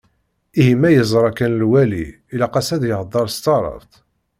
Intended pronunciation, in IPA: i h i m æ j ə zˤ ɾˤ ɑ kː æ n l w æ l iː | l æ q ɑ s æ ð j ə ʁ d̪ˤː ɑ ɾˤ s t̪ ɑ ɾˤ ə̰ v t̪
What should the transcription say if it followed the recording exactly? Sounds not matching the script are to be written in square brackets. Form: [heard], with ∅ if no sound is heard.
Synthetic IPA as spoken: i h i m æ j ə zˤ ɾˤ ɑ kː æ n l w æ l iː | l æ q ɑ s æ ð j ə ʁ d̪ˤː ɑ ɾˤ s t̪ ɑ ɾˤ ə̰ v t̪